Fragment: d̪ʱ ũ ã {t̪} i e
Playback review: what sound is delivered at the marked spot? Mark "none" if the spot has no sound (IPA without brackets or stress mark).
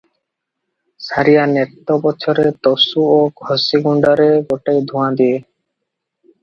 d̪